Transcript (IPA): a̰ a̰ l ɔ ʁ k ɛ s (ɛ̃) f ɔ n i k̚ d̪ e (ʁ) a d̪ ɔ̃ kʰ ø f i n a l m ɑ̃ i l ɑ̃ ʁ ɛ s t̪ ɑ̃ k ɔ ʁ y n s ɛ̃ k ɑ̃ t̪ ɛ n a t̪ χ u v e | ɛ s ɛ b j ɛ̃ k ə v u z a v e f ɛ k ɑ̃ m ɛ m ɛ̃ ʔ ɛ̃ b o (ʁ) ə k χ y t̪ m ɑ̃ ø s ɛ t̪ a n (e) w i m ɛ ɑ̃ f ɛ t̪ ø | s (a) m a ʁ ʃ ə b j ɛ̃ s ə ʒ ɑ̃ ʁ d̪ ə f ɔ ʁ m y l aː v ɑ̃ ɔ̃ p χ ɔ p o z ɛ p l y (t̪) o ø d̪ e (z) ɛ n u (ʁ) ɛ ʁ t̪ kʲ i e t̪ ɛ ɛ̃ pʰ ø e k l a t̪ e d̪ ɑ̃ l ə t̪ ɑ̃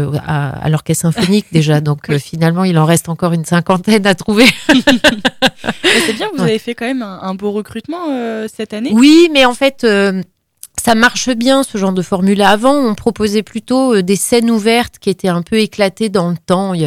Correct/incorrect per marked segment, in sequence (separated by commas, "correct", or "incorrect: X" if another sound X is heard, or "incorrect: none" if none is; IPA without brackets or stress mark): correct, incorrect: ʒ, correct, correct, correct, correct, incorrect: s, incorrect: v